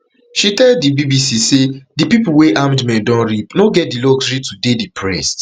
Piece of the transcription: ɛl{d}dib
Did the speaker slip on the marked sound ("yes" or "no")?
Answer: no